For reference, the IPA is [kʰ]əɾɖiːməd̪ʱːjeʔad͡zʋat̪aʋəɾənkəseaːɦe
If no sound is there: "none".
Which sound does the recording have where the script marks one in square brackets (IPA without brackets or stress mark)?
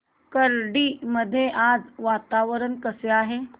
k